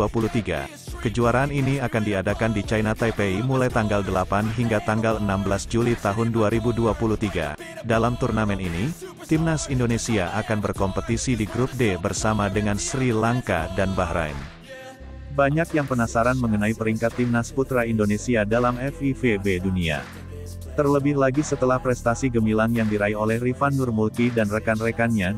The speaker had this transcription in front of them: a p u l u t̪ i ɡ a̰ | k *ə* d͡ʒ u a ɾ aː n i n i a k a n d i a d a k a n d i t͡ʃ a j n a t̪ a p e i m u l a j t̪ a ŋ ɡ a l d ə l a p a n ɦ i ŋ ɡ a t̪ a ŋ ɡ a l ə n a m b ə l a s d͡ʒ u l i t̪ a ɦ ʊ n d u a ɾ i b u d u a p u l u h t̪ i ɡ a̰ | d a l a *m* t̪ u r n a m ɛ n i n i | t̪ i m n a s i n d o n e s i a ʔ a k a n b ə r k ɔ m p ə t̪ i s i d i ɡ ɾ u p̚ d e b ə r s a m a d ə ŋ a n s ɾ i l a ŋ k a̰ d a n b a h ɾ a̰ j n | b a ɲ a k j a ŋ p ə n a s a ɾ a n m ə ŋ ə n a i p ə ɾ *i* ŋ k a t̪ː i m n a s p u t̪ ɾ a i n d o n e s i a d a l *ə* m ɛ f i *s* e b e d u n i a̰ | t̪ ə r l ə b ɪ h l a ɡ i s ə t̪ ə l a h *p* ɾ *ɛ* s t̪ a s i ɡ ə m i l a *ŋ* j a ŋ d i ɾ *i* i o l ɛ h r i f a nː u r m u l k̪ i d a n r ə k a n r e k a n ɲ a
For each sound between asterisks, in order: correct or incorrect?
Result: correct, correct, correct, incorrect, incorrect, correct, correct, correct, incorrect

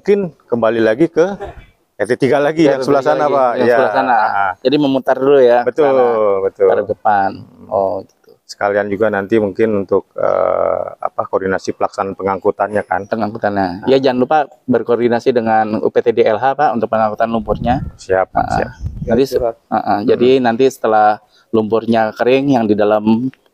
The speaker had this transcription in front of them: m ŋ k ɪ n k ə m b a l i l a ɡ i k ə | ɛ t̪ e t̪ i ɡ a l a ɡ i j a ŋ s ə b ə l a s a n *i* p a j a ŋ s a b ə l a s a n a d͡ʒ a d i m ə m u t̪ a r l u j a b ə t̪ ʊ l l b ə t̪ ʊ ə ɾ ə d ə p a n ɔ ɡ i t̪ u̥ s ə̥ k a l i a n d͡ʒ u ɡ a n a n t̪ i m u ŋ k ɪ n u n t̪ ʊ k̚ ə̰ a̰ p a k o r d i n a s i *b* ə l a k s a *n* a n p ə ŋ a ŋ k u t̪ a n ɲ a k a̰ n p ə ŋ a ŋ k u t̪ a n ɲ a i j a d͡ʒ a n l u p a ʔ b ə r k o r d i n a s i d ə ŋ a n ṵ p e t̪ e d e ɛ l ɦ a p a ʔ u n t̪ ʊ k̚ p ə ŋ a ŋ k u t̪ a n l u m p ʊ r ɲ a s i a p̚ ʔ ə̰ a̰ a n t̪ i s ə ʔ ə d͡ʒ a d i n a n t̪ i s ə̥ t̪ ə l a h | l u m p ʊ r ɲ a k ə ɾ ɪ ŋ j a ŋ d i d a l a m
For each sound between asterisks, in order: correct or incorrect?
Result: incorrect, incorrect, correct

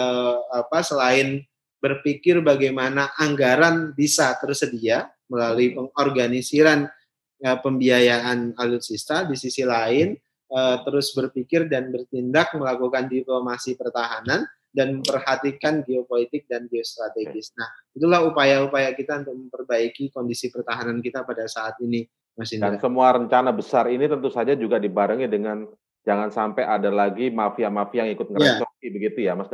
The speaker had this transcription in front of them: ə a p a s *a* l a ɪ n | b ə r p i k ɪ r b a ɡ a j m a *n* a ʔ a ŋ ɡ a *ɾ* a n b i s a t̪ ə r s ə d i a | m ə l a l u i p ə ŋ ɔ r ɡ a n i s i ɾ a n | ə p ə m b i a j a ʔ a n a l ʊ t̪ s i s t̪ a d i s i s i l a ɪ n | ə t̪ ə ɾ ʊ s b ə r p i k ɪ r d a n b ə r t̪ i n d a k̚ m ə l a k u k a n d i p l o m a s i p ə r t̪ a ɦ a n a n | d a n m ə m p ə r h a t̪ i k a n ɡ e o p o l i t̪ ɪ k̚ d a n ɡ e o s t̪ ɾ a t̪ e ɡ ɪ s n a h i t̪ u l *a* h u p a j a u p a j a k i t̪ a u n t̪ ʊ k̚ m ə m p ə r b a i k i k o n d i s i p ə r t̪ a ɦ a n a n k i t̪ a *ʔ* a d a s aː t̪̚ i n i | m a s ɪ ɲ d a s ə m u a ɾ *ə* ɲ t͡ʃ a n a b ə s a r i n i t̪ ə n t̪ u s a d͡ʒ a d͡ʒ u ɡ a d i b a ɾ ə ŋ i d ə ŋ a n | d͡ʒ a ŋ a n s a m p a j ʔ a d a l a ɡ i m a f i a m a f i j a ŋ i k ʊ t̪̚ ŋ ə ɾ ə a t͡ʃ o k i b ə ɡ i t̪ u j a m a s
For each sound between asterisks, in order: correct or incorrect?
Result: incorrect, correct, correct, correct, incorrect, correct

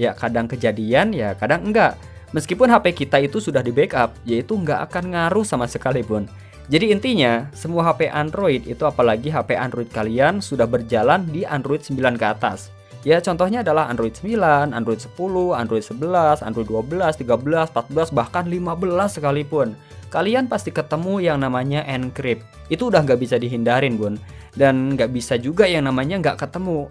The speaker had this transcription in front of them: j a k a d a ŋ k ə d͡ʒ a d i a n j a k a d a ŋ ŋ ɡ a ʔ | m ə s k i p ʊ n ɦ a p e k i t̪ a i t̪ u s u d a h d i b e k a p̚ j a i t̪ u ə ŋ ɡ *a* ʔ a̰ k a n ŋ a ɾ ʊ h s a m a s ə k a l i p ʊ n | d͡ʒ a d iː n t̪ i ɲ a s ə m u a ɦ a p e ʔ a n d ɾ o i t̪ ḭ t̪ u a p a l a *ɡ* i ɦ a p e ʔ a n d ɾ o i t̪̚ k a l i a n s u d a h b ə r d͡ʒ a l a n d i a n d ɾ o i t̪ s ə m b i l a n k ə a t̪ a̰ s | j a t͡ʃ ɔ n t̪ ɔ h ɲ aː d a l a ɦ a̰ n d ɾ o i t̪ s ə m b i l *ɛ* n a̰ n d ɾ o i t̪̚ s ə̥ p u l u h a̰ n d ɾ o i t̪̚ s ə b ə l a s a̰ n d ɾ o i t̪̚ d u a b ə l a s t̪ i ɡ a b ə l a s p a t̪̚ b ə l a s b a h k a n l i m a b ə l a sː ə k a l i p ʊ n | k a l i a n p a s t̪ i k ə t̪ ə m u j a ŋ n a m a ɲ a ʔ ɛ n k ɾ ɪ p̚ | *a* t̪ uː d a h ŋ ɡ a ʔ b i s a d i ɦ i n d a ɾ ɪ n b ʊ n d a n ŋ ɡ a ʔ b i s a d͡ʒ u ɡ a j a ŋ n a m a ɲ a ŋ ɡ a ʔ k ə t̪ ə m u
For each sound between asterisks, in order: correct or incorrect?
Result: correct, correct, incorrect, incorrect

